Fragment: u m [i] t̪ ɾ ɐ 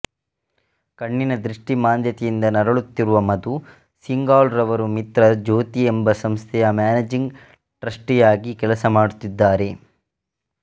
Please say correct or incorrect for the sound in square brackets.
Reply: correct